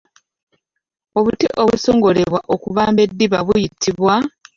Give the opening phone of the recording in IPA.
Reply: o̞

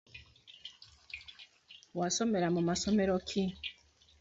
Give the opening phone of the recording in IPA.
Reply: w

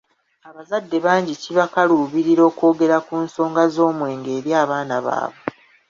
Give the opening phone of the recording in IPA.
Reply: a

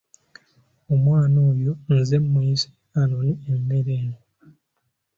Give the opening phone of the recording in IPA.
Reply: o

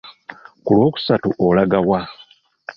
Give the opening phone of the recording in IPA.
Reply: k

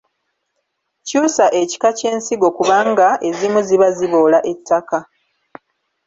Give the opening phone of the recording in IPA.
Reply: c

